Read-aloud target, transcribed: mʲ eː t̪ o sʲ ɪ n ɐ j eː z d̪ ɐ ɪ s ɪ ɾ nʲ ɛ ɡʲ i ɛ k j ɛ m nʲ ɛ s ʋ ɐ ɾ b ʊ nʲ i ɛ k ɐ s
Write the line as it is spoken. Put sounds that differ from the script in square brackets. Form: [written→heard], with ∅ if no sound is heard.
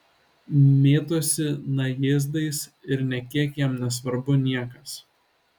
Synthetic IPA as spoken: mʲ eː t̪ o sʲ ɪ n ɐ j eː z d̪ ɐ ɪ s ɪ ɾ nʲ ɛ [ɡʲ→kʲ] i ɛ k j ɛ m nʲ ɛ s ʋ ɐ ɾ b ʊ nʲ i ɛ k ɐ s